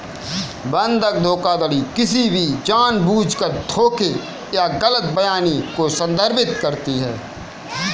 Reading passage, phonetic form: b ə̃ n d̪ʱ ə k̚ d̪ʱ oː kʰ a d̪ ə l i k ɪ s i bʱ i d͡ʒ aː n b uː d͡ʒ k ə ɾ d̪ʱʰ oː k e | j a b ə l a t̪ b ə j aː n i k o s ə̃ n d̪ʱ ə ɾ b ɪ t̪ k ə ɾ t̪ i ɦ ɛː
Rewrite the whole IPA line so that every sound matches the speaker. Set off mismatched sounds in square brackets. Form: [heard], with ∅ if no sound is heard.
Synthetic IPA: b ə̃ n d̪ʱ ə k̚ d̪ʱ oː [k] a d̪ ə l i k ɪ s i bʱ i d͡ʒ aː n b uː d͡ʒ k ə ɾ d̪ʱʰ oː k e | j a [ɡ] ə l [ə] t̪ b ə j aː n i k o s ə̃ n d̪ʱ ə ɾ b ɪ t̪ k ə ɾ t̪ i ɦ ɛː